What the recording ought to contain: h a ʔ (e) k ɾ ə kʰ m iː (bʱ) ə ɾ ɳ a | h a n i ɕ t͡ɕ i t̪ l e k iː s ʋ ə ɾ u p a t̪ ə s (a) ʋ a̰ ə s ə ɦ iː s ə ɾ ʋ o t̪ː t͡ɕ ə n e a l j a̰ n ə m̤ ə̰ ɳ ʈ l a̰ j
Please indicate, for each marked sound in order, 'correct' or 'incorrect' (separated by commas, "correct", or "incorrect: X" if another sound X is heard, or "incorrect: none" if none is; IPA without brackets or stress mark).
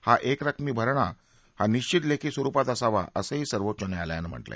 correct, correct, correct